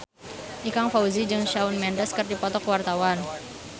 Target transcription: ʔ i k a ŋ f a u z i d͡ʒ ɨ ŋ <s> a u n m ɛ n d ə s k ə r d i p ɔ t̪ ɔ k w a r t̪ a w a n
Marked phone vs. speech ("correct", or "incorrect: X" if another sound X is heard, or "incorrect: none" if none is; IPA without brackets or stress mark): incorrect: ʃ